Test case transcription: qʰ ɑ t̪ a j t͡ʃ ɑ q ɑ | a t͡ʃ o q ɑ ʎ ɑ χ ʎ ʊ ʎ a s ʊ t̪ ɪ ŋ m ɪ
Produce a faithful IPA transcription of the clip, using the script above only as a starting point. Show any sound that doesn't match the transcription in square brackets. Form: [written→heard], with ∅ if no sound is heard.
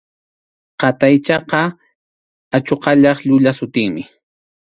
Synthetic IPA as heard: [qʰ→q] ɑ t̪ a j t͡ʃ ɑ q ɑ | a t͡ʃ o q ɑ ʎ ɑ χ ʎ ʊ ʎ a s ʊ t̪ ɪ ŋ m ɪ